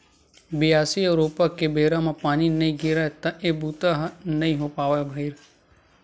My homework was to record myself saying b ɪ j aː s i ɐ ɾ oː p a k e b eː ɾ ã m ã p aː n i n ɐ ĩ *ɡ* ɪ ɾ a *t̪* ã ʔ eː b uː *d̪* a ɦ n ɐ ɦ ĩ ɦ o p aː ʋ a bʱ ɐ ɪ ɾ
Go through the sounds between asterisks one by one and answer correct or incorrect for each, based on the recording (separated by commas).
correct, correct, incorrect